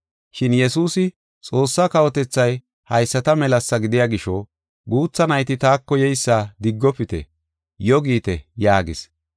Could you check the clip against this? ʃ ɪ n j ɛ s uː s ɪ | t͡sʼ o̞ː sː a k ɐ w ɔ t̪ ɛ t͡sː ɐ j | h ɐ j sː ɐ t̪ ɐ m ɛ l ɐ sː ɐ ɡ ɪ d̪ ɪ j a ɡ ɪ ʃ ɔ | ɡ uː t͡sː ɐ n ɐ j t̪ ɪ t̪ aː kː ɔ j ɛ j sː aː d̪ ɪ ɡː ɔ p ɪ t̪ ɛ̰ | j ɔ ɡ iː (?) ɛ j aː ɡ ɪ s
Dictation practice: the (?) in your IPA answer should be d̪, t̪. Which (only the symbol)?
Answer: t̪